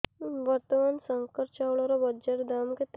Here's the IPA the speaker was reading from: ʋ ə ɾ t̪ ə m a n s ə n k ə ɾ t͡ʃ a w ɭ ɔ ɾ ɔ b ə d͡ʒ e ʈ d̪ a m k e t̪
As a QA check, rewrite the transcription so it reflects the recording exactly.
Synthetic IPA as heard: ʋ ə ɾ t̪ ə m a n s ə ŋ k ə ɾ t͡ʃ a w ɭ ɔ ɾ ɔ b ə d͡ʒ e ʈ d̪ a m k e t̪